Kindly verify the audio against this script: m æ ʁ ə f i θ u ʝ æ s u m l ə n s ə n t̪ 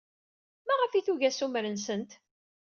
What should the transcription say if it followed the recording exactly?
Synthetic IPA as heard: m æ ʁ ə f i θ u ʝ æ s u m ɾ ə n s ə n t̪